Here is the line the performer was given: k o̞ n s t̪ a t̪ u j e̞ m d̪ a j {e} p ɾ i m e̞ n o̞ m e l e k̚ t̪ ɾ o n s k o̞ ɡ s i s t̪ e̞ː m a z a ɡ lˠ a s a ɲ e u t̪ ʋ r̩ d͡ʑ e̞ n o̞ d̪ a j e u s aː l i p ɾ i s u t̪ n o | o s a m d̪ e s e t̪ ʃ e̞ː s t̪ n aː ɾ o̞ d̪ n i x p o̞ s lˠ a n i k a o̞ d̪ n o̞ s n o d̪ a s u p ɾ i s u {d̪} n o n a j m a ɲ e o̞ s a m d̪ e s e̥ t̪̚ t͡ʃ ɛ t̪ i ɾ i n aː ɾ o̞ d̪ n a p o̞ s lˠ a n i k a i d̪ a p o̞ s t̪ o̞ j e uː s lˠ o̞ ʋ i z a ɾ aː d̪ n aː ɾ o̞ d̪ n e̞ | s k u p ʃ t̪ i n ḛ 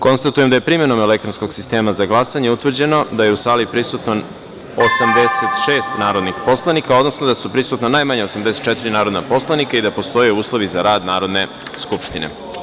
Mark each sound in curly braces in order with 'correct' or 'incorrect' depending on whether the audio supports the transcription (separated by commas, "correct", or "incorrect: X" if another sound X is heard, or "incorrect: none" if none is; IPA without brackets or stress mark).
correct, incorrect: t̪